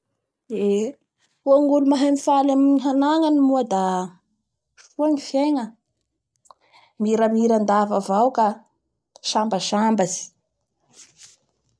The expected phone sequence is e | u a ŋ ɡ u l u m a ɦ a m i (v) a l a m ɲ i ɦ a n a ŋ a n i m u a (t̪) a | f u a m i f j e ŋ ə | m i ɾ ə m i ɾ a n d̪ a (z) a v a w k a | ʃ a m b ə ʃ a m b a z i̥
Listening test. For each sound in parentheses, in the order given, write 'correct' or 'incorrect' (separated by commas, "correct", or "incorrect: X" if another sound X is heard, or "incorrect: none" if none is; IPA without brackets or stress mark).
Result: incorrect: f, incorrect: d̪, incorrect: v